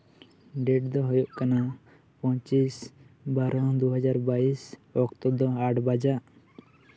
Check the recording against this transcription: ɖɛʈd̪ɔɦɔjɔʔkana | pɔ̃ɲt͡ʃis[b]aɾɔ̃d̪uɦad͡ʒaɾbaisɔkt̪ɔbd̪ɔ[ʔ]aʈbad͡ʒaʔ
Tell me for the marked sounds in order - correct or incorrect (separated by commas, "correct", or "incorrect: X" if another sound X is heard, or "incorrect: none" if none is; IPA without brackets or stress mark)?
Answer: correct, incorrect: none